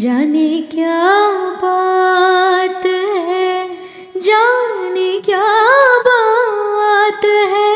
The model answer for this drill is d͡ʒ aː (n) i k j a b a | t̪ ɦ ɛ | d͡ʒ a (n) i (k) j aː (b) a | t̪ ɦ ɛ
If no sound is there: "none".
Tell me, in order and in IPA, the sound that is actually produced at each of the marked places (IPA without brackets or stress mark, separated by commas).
n, n, k, b